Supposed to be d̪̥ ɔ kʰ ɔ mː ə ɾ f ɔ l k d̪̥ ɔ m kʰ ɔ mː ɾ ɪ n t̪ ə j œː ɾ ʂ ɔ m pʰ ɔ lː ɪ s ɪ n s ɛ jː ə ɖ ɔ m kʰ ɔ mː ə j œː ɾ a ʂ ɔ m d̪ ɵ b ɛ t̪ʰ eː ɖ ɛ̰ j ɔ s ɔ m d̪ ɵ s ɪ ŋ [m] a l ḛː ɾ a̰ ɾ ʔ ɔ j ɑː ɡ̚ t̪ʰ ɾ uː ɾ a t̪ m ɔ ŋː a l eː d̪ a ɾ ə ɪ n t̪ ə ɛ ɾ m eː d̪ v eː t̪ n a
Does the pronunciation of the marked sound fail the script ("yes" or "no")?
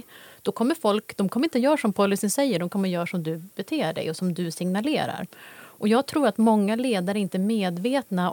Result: yes